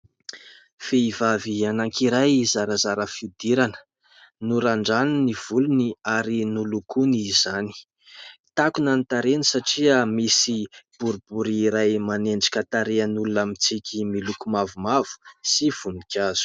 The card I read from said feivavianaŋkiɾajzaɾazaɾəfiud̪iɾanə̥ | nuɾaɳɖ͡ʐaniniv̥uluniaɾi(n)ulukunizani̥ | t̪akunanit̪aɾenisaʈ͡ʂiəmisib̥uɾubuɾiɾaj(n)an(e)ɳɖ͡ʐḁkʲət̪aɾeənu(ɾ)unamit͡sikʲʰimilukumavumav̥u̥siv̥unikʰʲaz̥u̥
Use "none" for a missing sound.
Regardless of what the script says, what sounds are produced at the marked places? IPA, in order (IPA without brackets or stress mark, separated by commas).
n, m, e, l